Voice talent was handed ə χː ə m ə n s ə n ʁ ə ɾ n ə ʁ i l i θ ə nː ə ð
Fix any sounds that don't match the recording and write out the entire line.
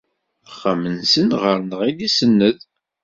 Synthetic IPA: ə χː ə m ə n s ə n ʁ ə ɾ n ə ʁ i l i s ə nː ə ð